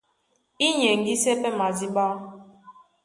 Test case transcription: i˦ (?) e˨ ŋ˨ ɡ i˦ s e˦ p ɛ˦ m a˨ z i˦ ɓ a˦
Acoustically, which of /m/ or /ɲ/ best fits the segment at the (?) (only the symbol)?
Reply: ɲ